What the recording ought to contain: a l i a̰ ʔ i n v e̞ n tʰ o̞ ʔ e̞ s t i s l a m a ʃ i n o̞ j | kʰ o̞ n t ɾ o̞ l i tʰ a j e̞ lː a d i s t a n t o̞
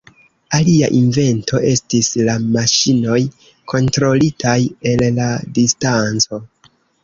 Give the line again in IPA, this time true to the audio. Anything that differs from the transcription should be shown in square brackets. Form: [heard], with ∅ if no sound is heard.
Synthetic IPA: a l i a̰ ʔ i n v e̞ n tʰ o̞ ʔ e̞ s t i s l a m a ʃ i n o̞ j | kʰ o̞ n t ɾ o̞ l i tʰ a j e̞ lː a d i s t a n [t͡s] o̞